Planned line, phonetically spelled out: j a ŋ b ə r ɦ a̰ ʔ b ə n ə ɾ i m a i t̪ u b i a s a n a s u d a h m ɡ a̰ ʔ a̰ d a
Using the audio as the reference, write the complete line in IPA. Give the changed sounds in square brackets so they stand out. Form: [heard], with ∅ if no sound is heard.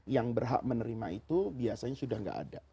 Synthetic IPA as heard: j a ŋ b ə r ɦ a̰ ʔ [m] ə n ə ɾ i m a i t̪ u b i a s a [ɲ] a s u d a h [ŋ] ɡ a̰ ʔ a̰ d a